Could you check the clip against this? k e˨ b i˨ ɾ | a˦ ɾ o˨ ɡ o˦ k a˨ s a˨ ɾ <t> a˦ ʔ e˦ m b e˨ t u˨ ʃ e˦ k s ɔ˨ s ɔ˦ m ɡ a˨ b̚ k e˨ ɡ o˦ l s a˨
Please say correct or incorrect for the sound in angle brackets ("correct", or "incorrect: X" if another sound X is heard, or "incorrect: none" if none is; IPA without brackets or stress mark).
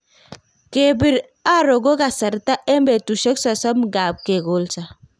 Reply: correct